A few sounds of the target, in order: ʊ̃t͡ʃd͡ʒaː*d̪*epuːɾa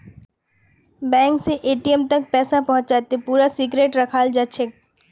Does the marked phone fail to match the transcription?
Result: yes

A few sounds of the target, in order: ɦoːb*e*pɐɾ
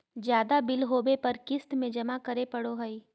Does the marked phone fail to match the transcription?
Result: no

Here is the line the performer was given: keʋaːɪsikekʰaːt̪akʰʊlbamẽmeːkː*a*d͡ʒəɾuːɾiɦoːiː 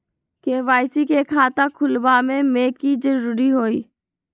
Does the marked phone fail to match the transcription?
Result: yes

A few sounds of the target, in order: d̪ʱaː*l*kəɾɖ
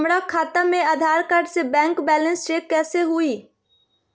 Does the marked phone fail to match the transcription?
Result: yes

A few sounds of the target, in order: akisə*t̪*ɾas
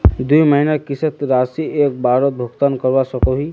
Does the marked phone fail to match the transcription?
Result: no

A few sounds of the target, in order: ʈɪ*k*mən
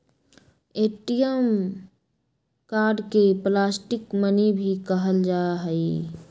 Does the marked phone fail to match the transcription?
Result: no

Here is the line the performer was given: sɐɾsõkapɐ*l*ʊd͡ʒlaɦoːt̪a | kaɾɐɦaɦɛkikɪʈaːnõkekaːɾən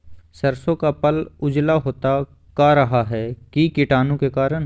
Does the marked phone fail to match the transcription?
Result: no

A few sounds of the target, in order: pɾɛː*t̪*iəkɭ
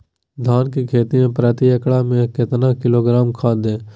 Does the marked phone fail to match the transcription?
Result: no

